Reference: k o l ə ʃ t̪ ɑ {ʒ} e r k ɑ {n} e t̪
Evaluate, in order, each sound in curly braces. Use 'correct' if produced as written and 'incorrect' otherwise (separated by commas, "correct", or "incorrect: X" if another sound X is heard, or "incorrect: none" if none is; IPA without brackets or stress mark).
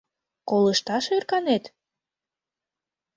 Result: incorrect: ʃ, correct